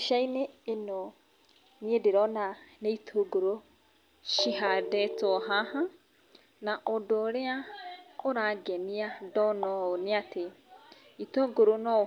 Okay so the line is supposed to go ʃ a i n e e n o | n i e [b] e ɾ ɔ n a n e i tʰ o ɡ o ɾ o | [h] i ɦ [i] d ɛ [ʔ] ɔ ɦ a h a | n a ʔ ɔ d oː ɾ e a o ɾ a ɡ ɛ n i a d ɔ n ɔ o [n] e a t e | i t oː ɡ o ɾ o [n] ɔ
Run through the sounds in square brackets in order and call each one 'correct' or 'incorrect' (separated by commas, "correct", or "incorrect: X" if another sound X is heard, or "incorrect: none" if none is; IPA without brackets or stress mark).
incorrect: d, incorrect: ʃ, incorrect: a, incorrect: t, correct, correct